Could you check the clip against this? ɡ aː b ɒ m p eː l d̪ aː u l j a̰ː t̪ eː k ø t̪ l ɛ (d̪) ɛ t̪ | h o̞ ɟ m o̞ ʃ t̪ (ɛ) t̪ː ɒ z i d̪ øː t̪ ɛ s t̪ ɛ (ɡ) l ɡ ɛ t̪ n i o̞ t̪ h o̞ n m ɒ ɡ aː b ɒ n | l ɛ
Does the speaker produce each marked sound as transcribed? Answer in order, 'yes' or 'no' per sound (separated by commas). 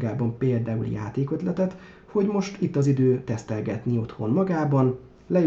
no, no, no